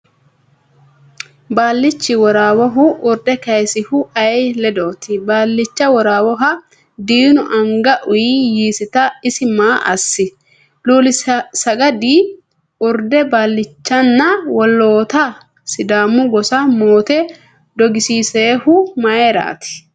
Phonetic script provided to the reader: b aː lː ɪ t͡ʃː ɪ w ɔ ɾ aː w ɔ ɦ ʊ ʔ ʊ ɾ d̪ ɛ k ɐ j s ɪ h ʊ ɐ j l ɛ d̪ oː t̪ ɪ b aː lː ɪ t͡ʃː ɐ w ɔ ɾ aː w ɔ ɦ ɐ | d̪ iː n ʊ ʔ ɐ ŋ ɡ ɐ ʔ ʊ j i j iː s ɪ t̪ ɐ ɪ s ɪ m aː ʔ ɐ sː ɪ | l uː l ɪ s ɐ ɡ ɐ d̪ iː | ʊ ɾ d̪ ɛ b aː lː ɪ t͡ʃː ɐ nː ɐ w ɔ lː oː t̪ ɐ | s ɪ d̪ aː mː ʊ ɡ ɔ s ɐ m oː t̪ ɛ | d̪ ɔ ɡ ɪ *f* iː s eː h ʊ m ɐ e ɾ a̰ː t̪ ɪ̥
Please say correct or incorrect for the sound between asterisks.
incorrect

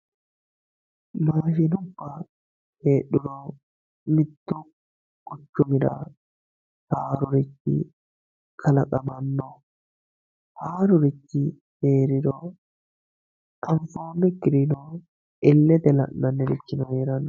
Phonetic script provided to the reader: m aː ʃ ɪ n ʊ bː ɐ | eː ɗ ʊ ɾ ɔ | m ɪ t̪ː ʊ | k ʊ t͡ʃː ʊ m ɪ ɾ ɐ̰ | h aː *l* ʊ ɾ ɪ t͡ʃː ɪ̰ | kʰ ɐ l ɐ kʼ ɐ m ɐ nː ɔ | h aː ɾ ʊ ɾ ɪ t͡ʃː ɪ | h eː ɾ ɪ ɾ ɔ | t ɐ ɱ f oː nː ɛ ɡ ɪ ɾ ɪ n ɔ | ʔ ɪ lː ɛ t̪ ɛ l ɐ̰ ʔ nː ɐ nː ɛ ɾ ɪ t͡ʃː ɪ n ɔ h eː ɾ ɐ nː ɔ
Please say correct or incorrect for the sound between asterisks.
incorrect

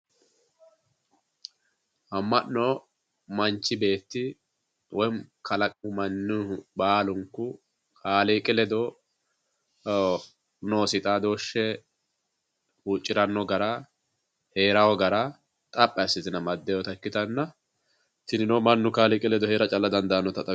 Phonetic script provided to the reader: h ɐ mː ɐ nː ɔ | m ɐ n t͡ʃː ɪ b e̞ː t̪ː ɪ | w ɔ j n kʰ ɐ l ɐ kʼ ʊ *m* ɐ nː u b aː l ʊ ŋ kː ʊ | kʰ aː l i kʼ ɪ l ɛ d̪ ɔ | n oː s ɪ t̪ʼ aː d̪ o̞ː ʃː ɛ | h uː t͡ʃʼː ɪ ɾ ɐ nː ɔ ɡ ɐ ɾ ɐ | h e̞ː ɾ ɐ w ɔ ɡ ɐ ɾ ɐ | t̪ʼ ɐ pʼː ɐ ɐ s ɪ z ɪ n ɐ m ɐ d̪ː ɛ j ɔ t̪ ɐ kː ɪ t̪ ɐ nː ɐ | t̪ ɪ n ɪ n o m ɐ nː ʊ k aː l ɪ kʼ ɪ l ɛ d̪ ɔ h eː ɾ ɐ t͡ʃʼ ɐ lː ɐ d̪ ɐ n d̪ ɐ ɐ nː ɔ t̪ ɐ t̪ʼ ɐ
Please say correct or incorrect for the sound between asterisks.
correct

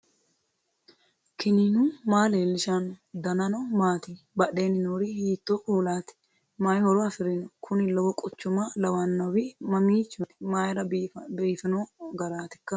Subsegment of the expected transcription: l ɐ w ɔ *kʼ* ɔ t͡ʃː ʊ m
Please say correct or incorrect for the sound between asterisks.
correct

